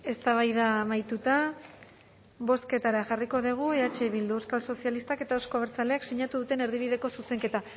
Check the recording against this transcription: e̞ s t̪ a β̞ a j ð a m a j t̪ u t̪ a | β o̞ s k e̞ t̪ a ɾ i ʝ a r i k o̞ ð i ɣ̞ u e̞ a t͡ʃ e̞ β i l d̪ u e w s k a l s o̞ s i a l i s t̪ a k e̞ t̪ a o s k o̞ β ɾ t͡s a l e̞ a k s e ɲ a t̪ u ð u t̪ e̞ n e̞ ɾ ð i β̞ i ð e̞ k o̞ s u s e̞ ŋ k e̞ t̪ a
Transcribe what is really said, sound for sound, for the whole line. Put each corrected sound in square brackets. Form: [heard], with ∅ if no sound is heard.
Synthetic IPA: e̞ s t̪ a β̞ a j ð a m a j t̪ u t̪ a | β o̞ s k e̞ t̪ a ɾ [a] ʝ a r i k o̞ ð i ɣ̞ u e̞ a t͡ʃ e̞ β i l d̪ u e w s k a l s o̞ s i a l i s t̪ a k e̞ t̪ a o s k o̞ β ɾ t͡s a l e̞ a k s e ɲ a t̪ u ð u t̪ e̞ n e̞ ɾ ð i β̞ i ð e̞ k o̞ s u s e̞ ŋ k e̞ t̪ a